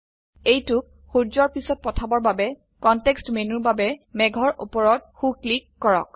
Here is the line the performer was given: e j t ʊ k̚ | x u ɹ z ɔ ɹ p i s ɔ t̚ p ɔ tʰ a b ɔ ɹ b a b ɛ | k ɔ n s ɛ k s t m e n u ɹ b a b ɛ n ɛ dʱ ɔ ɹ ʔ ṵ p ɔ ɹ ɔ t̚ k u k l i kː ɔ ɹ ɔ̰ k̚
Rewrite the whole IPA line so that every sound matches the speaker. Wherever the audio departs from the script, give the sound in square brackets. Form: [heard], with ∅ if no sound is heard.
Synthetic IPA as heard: e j t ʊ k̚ | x u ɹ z ɔ ɹ p i s ɔ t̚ p ɔ tʰ a b ɔ ɹ b a b ɛ | k ɔ n [t] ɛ k s t m e n u ɹ b a b ɛ [m] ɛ [ɡʱ] ɔ ɹ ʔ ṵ p ɔ ɹ ɔ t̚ [x] u k l i kː ɔ ɹ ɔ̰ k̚